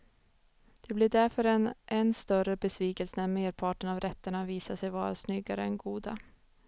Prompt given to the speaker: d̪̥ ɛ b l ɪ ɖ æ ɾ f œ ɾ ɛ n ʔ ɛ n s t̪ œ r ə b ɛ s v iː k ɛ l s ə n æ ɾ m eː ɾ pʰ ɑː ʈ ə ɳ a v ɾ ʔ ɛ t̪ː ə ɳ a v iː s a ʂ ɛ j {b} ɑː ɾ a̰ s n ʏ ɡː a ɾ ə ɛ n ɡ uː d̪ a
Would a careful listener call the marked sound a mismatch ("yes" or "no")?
yes